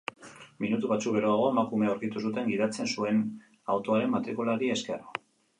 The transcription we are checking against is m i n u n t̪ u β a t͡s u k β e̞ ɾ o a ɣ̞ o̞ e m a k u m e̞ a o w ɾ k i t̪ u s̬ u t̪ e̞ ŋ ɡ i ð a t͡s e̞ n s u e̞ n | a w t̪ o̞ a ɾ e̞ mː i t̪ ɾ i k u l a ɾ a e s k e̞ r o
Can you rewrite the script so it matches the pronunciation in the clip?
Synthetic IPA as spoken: m i n u t̪ u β a t͡s u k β e̞ ɾ o a ɣ̞ o̞ e m a k u m e̞ a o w ɾ k i t̪ u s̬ u t̪ e̞ ŋ ɡ i ð a t͡s e̞ n s u e̞ n | a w t̪ o̞ a ɾ e̞ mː a t̪ ɾ i k u l a ɾ i e s k e̞ r o